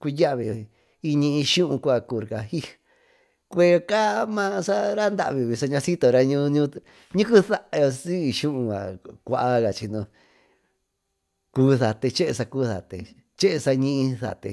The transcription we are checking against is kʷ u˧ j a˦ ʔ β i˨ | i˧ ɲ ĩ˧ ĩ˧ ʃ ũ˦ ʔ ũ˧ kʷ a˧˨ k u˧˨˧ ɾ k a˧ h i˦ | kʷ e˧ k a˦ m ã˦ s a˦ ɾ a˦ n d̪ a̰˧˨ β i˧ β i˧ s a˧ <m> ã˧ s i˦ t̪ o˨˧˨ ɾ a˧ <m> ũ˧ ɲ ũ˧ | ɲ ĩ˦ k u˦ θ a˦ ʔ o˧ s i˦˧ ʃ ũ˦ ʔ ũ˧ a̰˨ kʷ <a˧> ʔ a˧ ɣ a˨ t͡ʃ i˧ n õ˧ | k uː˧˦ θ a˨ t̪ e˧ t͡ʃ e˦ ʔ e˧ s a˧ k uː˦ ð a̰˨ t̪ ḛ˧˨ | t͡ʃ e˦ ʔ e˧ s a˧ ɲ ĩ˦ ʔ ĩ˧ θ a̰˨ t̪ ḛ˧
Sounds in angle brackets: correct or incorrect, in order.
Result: incorrect: ɲ, incorrect: ɲ, correct

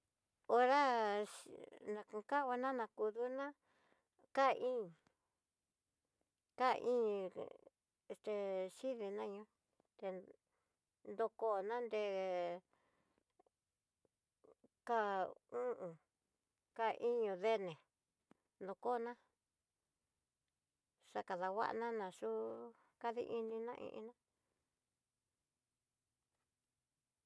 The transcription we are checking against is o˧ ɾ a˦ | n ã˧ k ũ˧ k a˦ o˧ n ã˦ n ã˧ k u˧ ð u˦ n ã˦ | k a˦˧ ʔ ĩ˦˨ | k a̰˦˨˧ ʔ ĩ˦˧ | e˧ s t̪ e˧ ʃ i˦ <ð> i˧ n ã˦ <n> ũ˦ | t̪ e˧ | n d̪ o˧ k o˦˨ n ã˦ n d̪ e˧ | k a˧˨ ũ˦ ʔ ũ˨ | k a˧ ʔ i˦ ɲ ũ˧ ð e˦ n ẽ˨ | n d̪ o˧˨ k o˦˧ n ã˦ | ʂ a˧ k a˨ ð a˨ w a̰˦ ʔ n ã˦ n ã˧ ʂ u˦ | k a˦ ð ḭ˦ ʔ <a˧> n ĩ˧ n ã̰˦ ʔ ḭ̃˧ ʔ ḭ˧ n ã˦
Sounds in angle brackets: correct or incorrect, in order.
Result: correct, incorrect: ɲ, incorrect: i˧

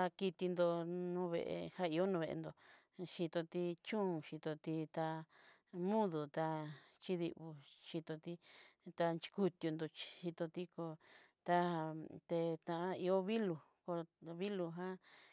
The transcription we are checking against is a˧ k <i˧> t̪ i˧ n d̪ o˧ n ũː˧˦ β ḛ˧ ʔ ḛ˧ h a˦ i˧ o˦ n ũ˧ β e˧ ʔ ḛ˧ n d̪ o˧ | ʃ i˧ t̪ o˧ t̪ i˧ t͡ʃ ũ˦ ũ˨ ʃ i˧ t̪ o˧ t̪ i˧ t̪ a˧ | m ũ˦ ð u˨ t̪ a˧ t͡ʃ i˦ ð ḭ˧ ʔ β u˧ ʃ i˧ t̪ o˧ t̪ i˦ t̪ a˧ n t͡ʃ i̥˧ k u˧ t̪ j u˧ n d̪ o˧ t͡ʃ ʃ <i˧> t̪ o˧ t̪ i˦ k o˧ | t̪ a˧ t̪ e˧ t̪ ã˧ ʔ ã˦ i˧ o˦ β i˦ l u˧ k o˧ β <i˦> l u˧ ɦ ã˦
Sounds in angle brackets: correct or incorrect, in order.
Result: correct, correct, correct

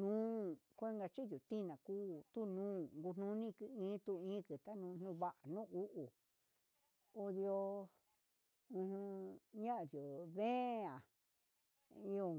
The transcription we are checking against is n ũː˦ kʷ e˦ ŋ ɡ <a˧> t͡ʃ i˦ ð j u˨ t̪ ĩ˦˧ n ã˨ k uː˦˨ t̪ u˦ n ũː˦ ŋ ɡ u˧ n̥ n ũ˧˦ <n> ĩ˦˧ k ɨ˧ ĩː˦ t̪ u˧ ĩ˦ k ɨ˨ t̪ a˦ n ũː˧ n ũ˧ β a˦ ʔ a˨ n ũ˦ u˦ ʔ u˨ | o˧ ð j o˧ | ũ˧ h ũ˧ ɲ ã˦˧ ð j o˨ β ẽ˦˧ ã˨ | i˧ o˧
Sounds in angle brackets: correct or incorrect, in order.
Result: correct, correct

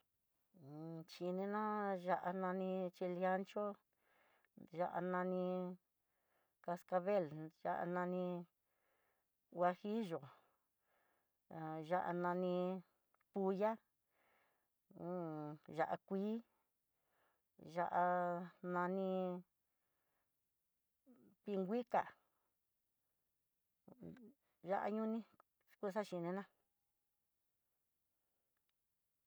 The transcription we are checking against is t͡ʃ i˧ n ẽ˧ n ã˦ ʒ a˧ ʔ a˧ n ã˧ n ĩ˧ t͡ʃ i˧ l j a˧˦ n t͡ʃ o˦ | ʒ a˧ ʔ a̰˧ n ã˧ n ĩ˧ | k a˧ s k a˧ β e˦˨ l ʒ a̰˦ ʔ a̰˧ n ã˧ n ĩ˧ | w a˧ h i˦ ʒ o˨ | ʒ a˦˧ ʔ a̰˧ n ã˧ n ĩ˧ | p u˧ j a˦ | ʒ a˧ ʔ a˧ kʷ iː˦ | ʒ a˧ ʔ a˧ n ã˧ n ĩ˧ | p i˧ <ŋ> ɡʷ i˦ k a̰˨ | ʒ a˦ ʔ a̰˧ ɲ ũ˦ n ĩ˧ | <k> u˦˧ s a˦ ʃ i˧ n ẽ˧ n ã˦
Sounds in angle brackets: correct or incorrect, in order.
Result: correct, correct

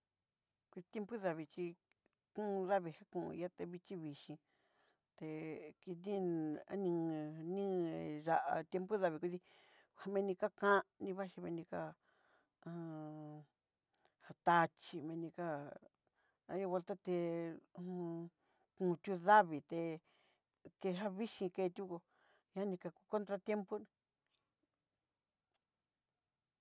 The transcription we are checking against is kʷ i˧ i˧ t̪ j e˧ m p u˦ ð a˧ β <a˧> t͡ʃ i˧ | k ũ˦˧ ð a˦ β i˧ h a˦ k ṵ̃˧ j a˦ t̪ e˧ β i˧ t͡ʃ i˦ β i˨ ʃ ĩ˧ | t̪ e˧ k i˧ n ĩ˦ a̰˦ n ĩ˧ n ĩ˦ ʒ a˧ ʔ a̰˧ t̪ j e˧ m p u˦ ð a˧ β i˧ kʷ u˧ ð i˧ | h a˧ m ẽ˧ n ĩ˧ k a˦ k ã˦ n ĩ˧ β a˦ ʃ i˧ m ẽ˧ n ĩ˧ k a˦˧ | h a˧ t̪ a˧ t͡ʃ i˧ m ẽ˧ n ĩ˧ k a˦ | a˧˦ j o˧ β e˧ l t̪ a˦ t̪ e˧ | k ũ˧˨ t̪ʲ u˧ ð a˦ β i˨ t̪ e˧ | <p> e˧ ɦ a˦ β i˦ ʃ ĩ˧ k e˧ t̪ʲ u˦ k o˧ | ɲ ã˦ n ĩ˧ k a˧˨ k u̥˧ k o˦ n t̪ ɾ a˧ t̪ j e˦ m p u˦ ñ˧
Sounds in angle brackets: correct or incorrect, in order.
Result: incorrect: i˧, incorrect: k

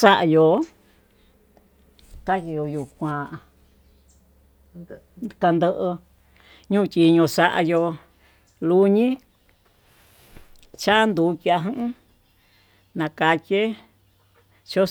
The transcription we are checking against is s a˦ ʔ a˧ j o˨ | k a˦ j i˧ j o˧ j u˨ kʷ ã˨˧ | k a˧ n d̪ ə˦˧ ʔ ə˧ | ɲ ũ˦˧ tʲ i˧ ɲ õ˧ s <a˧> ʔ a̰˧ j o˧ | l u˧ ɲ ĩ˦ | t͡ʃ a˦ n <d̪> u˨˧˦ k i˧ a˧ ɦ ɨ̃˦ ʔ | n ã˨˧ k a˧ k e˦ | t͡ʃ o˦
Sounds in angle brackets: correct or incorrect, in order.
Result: correct, correct

